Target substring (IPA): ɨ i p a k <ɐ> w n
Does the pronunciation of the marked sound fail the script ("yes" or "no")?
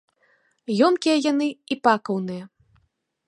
no